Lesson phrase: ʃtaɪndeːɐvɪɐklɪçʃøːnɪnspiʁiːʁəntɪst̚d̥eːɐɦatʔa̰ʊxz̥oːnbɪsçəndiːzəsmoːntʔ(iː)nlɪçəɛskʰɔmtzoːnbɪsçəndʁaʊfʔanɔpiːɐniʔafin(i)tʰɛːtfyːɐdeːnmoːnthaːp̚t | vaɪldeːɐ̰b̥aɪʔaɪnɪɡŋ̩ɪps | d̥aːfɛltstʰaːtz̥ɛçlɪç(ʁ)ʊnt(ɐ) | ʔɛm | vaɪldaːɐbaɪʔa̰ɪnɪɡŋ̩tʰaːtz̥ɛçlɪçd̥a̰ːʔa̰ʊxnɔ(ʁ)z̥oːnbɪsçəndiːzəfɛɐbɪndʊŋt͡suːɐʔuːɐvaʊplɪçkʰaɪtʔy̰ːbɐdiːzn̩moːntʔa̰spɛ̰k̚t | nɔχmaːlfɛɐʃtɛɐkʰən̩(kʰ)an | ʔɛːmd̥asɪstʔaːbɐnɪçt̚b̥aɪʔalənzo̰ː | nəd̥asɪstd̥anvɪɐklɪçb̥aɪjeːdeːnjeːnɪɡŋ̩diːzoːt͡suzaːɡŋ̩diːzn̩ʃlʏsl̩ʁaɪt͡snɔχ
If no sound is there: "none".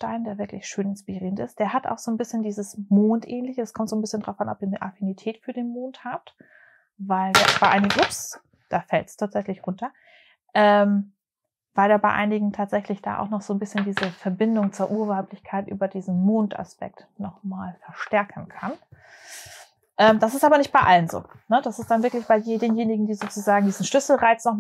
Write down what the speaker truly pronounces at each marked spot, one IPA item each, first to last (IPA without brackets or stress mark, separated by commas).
ɛː, i, ʁ, ɐ, χ, kʰ